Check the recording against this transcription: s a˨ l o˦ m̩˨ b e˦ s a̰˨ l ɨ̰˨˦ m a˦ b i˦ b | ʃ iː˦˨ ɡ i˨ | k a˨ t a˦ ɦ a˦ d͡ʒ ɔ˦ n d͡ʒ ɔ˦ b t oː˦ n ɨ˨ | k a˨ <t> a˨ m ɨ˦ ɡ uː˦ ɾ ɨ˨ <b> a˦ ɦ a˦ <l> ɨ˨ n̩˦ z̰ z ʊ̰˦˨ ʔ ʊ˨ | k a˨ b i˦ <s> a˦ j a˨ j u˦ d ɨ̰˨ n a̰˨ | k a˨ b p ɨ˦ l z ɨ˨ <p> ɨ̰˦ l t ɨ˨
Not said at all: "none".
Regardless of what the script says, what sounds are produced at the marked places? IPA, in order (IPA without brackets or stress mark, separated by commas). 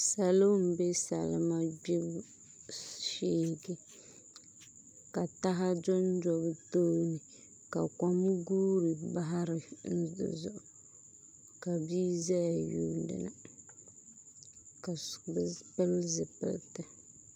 k, b, ɾ, z, p